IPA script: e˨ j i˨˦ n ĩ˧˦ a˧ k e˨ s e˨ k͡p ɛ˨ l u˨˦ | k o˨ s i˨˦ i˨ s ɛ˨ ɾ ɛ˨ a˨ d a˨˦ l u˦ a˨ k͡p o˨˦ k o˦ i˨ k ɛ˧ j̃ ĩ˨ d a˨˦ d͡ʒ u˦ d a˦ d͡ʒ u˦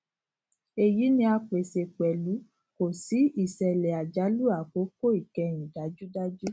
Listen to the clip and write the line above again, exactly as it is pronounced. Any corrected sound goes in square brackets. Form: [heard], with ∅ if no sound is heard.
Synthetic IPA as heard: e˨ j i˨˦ n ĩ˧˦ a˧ [k͡p] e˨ s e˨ k͡p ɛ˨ l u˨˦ | k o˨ s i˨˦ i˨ s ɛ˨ [l] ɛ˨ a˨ [d͡ʒ] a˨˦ l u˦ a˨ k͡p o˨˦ k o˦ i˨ k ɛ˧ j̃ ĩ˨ d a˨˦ d͡ʒ u˦ d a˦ d͡ʒ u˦